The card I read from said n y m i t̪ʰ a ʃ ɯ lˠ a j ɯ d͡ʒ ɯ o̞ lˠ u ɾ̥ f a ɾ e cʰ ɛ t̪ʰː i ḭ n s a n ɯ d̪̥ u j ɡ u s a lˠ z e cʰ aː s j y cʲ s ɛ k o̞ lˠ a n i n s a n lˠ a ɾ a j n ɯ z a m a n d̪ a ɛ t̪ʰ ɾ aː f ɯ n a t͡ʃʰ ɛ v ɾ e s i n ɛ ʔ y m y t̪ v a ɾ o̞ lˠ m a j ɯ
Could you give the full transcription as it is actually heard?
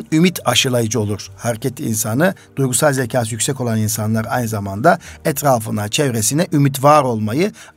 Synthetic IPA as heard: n y m i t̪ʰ a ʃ ɯ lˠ a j ɯ d͡ʒ ɯ o̞ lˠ u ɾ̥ h a ɾ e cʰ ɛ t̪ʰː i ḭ n s a n ɯ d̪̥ u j ɡ u s a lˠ z e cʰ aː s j y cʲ s ɛ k o̞ lˠ a n i n s a n lˠ a ɾ a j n ɯ z a m a n d̪ a ɛ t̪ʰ ɾ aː f ɯ n a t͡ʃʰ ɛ v ɾ e s i n ɛ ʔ y m i t̪ v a ɾ o̞ lˠ m a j ɯ